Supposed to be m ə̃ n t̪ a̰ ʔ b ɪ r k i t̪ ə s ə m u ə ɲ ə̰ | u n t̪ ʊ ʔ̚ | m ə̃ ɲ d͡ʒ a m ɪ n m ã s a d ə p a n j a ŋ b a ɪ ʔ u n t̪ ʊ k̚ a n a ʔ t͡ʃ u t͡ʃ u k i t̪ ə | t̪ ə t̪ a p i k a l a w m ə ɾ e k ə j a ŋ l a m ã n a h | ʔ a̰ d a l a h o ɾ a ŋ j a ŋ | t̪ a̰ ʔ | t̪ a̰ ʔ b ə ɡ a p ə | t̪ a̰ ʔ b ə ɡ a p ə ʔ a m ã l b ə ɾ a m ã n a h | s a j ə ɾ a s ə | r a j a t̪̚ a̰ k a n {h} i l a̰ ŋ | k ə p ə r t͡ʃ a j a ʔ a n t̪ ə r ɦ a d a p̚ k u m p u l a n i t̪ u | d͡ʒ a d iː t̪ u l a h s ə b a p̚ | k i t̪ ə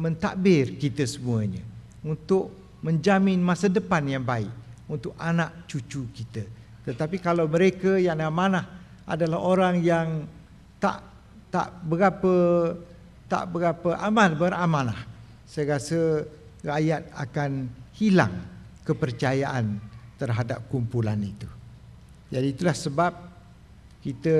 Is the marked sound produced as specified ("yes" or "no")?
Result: yes